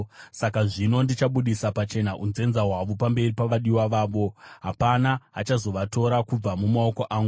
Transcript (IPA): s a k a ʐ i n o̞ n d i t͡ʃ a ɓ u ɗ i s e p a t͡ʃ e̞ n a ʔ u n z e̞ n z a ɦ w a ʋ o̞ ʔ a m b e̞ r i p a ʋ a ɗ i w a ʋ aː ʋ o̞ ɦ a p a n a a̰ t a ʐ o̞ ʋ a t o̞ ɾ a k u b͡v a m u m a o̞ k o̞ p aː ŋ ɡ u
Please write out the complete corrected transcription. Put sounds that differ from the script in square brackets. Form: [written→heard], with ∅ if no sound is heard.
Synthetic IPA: s a k a ʐ i n o̞ n d i t͡ʃ a ɓ u ɗ i s [e→a] p a t͡ʃ e̞ n a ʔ u n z e̞ n z a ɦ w a ʋ o̞ [ʔ→p] a m b e̞ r i p a ʋ a ɗ i w a ʋ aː ʋ o̞ ɦ a p a n a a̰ [t→t͡ʃ] a [ʐ→z] o̞ ʋ a t o̞ ɾ a k u b͡v a m u m a o̞ k o̞ [p→ʔ] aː ŋ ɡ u